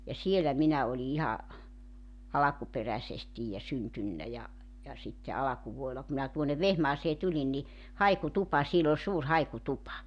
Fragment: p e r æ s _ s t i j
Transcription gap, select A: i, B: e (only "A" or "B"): B